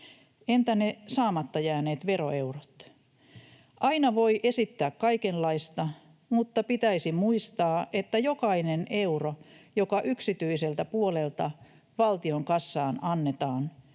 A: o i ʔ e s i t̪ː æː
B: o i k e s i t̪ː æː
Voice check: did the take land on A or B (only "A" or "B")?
A